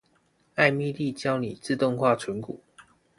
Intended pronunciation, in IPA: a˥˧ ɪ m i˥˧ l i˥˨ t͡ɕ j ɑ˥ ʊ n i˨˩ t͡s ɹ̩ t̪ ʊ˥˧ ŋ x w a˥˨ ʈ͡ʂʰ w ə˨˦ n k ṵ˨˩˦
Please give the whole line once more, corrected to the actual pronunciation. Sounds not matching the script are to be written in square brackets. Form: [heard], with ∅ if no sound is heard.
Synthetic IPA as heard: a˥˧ ɪ m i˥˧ l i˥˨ t͡ɕ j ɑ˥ ʊ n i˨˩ t͡s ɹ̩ t̪ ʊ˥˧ ŋ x w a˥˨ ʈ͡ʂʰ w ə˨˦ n k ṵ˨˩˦